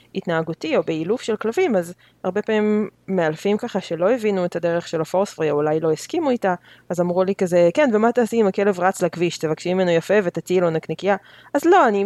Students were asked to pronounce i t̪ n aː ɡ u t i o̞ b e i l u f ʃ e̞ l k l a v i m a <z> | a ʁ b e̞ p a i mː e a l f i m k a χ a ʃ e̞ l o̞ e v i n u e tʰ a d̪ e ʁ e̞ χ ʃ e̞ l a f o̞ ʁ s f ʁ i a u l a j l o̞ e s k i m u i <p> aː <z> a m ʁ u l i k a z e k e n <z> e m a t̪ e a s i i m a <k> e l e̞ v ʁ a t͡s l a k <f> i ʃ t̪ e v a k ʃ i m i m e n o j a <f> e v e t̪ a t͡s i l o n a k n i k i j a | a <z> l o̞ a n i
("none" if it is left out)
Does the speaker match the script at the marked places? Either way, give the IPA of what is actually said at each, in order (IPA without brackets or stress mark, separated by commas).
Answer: z, t, z, v, k, v, f, z